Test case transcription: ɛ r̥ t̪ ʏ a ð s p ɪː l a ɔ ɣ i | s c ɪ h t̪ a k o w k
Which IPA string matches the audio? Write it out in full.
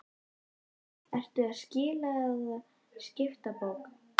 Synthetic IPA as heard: ɛ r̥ t̪ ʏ a ð s c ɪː l a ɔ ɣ a | s c ɪ f t̪ a p o w k